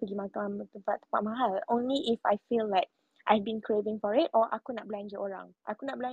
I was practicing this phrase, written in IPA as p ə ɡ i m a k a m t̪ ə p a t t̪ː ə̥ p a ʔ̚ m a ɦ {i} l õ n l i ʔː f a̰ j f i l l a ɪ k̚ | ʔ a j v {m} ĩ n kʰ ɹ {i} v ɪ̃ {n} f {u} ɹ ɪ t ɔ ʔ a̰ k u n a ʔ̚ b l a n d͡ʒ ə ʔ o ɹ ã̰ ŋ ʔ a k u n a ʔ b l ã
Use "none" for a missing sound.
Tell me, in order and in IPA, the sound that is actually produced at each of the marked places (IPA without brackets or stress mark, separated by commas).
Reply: a, b, e, ŋ, ɔ